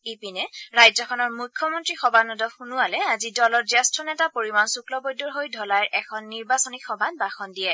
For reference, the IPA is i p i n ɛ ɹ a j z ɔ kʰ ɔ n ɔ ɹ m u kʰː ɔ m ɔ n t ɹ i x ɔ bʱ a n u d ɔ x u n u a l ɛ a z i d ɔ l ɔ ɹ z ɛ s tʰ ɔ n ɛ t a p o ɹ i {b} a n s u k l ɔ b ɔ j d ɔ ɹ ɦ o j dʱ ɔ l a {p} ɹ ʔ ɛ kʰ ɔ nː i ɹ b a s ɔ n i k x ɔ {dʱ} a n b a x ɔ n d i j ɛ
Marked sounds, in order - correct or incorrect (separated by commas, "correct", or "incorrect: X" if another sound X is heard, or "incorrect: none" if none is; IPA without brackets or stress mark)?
incorrect: m, incorrect: none, incorrect: bʱ